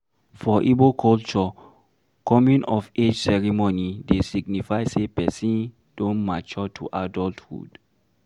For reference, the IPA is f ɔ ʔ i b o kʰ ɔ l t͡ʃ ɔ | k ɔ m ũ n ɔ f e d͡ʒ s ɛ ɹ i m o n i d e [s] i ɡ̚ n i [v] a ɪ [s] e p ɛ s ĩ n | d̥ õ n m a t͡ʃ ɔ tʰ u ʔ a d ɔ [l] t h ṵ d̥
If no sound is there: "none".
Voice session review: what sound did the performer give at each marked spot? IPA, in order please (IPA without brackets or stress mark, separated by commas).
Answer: s, f, s, l